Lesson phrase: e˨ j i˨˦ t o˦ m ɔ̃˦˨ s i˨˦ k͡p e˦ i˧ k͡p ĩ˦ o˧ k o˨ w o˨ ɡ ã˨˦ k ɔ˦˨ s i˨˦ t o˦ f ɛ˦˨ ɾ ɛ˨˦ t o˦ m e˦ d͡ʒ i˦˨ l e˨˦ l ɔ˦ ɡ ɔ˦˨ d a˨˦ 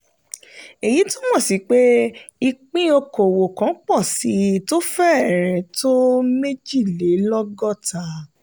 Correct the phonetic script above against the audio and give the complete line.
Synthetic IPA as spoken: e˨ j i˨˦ t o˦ m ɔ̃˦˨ s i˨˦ k͡p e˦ i˧ k͡p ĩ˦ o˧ k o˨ w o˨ k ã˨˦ k͡p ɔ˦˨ s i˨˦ t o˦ f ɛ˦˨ ɾ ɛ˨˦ t o˦ m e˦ d͡ʒ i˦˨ l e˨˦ l ɔ˦ ɡ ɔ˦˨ t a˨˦

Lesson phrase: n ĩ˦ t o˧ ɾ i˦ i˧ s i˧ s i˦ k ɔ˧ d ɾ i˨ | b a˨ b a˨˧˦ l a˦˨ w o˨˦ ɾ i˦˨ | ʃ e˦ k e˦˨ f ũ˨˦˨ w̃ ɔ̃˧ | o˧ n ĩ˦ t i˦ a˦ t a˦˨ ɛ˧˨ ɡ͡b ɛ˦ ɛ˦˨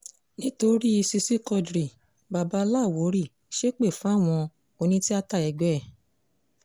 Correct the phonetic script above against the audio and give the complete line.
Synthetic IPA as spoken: n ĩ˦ t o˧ ɾ i˦ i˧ s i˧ s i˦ k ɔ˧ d ɾ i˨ | b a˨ b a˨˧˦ l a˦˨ w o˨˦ ɾ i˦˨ | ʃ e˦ k͡p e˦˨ f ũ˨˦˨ w̃ ɔ̃˧ | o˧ n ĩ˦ t i˦ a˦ t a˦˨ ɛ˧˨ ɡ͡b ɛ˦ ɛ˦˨

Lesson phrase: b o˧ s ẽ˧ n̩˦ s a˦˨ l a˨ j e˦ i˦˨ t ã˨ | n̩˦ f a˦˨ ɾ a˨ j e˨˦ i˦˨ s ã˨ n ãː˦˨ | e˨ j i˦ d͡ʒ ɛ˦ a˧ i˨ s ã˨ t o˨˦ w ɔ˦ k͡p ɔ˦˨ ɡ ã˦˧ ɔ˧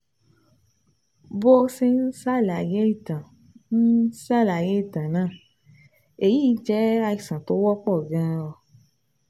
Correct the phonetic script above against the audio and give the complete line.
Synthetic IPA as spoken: b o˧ s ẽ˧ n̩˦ s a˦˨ l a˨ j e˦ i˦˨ t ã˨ | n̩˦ s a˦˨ l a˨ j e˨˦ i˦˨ t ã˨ n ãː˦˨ | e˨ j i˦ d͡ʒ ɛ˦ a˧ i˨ s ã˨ t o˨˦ w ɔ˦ k͡p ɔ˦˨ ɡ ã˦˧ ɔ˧

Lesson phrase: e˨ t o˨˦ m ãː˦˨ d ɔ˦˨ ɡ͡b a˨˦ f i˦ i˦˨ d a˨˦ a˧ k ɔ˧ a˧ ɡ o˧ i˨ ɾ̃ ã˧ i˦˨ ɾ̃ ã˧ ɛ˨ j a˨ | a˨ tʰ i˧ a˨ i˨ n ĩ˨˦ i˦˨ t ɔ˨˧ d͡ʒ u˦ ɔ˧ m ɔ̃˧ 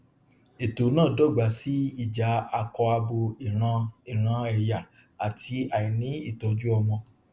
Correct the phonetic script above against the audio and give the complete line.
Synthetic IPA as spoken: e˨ t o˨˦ n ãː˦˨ d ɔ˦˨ ɡ͡b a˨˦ s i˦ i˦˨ d͡ʒ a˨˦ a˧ k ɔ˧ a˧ b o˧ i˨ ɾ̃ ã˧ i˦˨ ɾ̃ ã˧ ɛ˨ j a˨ | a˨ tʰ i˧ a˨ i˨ n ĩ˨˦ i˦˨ t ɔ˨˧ d͡ʒ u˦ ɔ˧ m ɔ̃˧

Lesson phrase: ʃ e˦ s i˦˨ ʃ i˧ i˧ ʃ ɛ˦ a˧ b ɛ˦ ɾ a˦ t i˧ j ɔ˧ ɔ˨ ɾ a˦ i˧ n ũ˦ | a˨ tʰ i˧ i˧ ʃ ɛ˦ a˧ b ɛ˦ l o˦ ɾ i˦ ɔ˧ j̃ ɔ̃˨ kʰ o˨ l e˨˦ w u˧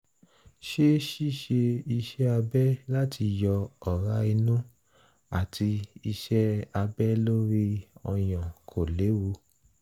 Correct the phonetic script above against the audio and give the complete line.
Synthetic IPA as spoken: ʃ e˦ ʃ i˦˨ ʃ e˧ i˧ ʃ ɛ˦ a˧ b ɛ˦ l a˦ t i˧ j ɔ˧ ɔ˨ ɾ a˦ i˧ n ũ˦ | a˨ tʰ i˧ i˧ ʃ ɛ˦ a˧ b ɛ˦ l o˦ ɾ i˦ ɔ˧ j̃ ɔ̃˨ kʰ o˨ l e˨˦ w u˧

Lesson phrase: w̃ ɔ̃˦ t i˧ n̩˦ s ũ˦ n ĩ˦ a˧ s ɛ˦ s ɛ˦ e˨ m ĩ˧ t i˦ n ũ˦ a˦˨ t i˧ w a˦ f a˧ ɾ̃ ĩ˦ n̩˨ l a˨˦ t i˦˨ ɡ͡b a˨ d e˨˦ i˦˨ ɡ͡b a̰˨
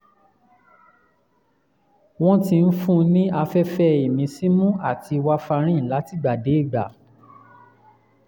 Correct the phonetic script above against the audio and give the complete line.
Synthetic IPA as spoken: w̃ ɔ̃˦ t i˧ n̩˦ f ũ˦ n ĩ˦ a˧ f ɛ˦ f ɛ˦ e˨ m ĩ˧ s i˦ m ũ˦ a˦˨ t i˧ w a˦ f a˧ ɾ̃ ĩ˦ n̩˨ l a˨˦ t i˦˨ ɡ͡b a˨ d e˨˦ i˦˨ ɡ͡b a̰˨

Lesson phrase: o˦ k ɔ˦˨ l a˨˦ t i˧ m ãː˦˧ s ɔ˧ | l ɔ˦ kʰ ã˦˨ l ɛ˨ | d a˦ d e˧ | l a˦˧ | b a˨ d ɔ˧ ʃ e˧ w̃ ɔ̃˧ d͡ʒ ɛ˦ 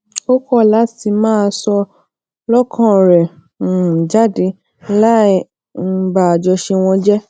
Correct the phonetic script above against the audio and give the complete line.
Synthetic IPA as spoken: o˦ k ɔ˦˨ l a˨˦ t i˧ m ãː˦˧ s ɔ˧ | l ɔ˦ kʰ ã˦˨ ɾ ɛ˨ | d͡ʒ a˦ d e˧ | l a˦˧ | b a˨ d͡ʒ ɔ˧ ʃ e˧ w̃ ɔ̃˧ d͡ʒ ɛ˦

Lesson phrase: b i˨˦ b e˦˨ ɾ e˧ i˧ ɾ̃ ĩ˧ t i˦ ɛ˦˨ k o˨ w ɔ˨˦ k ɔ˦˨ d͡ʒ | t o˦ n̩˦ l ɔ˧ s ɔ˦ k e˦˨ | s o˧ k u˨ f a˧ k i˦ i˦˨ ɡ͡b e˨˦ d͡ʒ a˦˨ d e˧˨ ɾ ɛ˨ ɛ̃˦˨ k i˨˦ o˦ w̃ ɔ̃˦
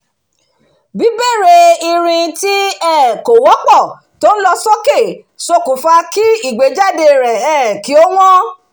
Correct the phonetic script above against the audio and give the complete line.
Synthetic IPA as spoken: b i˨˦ b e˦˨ ɾ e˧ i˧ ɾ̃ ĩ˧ t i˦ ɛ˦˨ k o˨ w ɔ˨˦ k͡p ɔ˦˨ | t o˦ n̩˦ l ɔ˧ s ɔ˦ k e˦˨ | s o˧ k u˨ f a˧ k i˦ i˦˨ ɡ͡b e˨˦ d͡ʒ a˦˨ d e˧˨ ɾ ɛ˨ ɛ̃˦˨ k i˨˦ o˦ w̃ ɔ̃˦

